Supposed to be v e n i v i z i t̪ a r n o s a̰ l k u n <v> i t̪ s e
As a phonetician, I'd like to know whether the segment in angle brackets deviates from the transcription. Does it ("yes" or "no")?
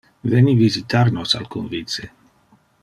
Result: no